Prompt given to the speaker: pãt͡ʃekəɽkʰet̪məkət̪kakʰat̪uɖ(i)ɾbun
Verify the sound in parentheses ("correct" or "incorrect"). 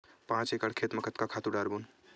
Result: incorrect